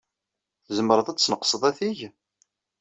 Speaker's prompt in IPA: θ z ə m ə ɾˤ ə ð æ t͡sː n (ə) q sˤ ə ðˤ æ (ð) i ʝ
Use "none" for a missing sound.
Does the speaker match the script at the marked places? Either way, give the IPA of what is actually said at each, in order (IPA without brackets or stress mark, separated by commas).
ə, θ